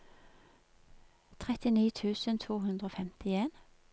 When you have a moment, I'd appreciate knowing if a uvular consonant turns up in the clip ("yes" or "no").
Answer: yes